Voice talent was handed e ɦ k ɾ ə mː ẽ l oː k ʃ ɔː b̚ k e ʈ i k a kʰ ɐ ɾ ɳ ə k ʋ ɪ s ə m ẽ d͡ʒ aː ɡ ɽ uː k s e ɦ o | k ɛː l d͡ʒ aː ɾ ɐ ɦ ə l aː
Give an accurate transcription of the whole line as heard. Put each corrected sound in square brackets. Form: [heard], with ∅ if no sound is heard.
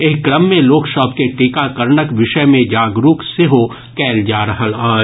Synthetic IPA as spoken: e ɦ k ɾ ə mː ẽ l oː k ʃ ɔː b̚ k e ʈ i k a [k] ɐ ɾ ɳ ə k ʋ ɪ [ʃ] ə m ẽ d͡ʒ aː ɡ [ɾ] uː k s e ɦ o | k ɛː l d͡ʒ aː ɾ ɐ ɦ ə l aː